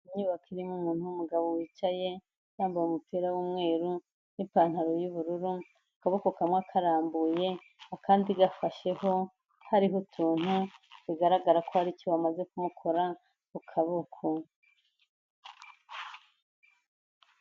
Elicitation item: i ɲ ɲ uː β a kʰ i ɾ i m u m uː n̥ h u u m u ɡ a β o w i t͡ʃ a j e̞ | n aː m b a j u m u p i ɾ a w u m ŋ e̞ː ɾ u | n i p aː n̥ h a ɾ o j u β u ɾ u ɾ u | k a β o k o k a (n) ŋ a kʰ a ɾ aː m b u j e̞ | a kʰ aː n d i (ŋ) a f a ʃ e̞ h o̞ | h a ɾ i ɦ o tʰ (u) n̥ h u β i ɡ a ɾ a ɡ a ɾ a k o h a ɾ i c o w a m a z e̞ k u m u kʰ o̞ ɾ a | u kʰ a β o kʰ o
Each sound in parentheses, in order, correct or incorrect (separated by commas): incorrect, incorrect, incorrect